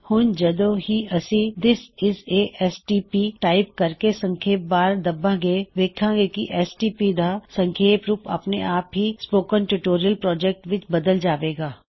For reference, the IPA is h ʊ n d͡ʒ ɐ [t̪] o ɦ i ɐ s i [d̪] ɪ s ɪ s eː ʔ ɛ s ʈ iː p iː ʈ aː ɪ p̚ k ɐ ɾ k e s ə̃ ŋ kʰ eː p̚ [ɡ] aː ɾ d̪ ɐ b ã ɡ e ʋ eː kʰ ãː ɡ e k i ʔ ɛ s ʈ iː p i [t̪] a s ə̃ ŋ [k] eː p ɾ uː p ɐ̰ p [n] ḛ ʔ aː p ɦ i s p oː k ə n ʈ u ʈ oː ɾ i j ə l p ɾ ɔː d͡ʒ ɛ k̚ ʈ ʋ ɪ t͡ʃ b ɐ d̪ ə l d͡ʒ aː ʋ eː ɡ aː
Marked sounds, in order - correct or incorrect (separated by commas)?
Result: incorrect, correct, incorrect, incorrect, incorrect, correct